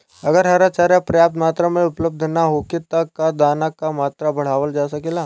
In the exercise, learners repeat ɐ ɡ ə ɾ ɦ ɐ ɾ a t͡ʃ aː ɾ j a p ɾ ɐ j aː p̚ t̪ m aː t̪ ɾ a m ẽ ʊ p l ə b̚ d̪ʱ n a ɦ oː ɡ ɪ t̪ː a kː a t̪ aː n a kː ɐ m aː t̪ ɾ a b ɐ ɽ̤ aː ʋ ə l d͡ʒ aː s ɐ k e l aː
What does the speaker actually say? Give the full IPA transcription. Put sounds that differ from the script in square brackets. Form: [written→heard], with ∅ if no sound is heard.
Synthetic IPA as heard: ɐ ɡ ə ɾ ɦ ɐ ɾ a t͡ʃ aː ɾ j a p ɾ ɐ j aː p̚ t̪ m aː t̪ ɾ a m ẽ ʊ p l ə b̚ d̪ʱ n a ɦ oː [ɡ→k] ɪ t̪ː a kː a [t̪→d̪] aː n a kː [ɐ→a] m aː t̪ ɾ a b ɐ ɽ̤ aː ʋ ə l d͡ʒ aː s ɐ k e l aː

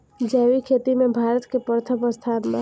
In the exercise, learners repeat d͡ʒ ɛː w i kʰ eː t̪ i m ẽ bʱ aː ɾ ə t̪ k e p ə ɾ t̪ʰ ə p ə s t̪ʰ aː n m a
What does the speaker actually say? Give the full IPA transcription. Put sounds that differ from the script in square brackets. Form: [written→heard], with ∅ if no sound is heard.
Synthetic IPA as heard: d͡ʒ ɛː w i kʰ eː t̪ i m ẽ bʱ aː ɾ ə t̪ k e p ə ɾ t̪ʰ ə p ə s t̪ʰ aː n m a

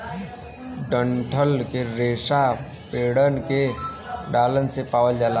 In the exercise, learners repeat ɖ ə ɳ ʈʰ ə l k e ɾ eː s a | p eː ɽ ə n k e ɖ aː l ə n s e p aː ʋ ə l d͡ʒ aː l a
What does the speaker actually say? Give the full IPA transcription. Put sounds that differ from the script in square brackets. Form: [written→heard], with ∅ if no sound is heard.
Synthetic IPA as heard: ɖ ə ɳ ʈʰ ə l k e ɾ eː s a | p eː ɽ ə n k e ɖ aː l ə n s e p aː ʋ ə l d͡ʒ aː l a

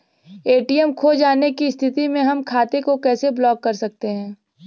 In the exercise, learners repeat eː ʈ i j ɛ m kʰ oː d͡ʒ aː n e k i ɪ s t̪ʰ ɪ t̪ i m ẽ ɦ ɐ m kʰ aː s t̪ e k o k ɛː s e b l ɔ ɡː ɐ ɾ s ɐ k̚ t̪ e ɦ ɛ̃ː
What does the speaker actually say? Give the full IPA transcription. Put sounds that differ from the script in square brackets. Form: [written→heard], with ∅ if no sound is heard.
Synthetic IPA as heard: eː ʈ i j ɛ m kʰ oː d͡ʒ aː n e k i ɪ s t̪ʰ ɪ t̪ i m ẽ ɦ ɐ m kʰ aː [s→∅] t̪ e k o k ɛː s e b l [ɔ→ɔː] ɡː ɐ ɾ s ɐ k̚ t̪ e ɦ ɛ̃ː

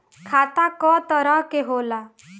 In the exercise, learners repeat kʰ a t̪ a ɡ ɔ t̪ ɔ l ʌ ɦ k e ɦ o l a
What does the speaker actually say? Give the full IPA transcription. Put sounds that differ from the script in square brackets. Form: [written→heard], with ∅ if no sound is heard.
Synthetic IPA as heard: kʰ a t̪ a [ɡ→k] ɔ t̪ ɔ [l→ɾ] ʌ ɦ k e ɦ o l a

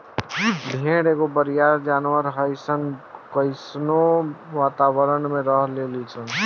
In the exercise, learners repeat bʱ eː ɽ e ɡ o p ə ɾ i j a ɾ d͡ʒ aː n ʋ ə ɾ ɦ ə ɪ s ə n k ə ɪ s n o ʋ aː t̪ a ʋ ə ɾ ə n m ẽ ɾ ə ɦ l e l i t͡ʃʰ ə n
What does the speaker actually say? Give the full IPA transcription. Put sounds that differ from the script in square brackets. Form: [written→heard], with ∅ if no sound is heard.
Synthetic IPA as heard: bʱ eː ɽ e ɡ o [p→b] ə ɾ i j a ɾ d͡ʒ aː n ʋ ə ɾ ɦ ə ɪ s ə n k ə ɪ s n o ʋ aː t̪ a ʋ ə ɾ ə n m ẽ ɾ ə ɦ l e l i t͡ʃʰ ə n

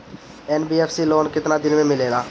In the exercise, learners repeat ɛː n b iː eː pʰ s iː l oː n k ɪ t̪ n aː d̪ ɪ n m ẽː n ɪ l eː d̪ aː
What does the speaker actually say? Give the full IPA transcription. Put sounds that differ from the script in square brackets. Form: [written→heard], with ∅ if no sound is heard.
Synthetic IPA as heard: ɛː n b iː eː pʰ s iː l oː n k ɪ t̪ n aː d̪ ɪ n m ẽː [n→m] ɪ l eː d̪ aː

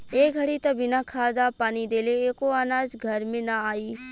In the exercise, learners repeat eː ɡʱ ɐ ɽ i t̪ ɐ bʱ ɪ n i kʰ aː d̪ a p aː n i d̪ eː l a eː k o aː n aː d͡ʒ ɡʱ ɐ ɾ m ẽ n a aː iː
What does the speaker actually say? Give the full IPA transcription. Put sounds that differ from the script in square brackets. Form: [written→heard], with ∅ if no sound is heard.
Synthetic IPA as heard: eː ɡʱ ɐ ɽ i t̪ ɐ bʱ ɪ n [i→a] kʰ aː d̪ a p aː n i d̪ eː l [a→e] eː k o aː n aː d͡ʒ ɡʱ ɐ ɾ m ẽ n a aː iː

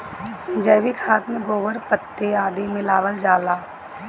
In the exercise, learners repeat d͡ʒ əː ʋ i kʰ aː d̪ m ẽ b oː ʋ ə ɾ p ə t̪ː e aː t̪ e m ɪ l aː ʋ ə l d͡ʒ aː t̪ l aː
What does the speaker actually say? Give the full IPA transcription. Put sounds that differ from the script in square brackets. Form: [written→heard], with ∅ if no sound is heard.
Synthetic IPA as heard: d͡ʒ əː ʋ i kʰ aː [d̪→t̪] m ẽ [b→ɡ] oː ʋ ə ɾ p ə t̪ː e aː [t̪→d̪] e m ɪ l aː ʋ ə l d͡ʒ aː [t̪→∅] l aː

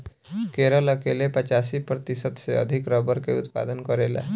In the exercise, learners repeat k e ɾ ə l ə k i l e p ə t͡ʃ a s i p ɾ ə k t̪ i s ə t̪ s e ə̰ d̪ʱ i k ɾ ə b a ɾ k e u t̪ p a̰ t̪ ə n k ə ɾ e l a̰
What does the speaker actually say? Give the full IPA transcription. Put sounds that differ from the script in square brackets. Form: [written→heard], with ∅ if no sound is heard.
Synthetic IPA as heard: k e ɾ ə l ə k [i→e] l e p ə t͡ʃ a s i p ɾ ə [k→∅] t̪ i s ə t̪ s e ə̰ d̪ʱ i k ɾ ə b [a→ə] ɾ k e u t̪ p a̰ [t̪→d̪] ə n k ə ɾ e l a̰

